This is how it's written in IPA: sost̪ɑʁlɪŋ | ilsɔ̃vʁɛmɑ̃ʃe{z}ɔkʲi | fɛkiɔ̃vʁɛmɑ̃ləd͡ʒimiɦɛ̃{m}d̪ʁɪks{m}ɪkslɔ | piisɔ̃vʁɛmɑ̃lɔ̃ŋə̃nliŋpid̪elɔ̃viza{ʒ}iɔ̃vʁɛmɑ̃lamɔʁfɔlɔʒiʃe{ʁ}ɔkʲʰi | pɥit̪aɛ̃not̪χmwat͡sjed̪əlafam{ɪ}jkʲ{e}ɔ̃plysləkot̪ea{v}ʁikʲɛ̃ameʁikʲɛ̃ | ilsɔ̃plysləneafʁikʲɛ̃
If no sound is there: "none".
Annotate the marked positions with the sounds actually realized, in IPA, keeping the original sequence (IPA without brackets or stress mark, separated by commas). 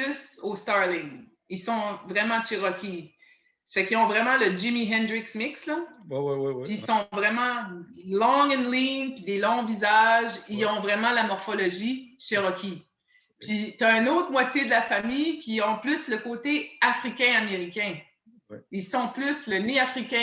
ʁ, n, m, ʒ, ʁ, i, i, f